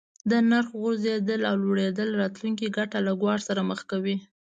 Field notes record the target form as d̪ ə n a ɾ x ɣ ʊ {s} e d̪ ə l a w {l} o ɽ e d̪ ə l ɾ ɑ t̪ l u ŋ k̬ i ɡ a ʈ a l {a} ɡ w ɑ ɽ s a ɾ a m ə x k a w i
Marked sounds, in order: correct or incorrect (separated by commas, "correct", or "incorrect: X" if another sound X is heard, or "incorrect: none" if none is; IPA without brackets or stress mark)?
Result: incorrect: z, correct, correct